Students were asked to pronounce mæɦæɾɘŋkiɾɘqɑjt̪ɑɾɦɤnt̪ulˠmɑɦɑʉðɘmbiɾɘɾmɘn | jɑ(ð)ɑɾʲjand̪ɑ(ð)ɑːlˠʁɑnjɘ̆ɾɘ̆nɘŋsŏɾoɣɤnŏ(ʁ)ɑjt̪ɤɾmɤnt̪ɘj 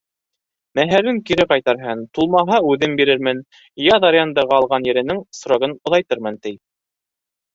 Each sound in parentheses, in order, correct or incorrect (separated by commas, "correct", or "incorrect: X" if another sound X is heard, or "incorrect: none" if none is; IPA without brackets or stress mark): correct, incorrect: ʁ, incorrect: ð